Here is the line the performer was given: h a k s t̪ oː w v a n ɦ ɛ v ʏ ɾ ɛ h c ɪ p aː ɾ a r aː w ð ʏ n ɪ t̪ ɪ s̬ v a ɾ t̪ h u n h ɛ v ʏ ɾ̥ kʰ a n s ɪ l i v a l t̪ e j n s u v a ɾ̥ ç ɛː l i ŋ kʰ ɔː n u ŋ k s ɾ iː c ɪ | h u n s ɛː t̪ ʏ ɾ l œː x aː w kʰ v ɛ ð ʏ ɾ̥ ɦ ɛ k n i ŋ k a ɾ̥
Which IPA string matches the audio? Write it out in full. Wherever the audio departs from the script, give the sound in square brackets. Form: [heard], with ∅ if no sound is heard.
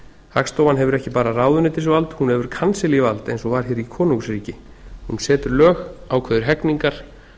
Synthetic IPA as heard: h a k s t̪ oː w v a n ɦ ɛ v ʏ ɾ ɛ h c ɪ p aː ɾ a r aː w ð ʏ n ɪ t̪ ɪ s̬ v a [l] t̪ h u n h ɛ v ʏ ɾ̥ kʰ a n s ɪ l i v a l t̪ e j n s [ɔ] v a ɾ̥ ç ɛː [ɾ] i [∅] kʰ ɔː n u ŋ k s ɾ iː c ɪ | h u n s ɛː t̪ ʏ ɾ l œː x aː w kʰ v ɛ ð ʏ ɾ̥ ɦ ɛ k n i ŋ k a ɾ̥